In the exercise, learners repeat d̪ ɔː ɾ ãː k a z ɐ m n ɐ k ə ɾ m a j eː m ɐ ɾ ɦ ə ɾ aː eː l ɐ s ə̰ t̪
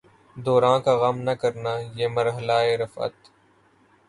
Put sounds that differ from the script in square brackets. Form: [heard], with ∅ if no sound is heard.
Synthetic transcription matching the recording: d̪ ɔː ɾ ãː k a [ɣ] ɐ m n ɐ k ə ɾ [n] a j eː m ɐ ɾ ɦ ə [l] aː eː [ɾ] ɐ [f] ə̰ t̪